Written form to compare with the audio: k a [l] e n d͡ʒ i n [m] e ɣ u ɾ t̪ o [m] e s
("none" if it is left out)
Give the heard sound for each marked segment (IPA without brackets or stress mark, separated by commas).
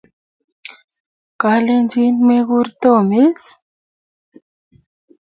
l, m, m